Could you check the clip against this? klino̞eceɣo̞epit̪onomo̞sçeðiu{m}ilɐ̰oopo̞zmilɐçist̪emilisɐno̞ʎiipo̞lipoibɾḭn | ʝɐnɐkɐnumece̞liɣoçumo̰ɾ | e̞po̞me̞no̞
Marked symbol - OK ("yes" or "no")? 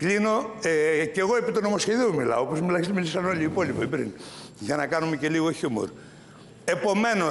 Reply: yes